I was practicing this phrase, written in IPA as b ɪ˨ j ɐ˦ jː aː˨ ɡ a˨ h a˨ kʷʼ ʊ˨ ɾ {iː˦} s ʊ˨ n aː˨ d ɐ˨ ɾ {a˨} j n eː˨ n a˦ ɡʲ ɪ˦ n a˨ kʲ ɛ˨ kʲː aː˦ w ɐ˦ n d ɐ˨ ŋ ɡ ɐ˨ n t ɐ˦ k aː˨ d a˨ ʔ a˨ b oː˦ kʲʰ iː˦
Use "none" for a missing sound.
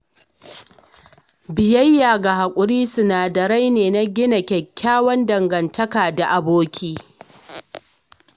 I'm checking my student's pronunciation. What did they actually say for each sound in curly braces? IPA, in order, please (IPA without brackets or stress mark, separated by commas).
iː˦, a˦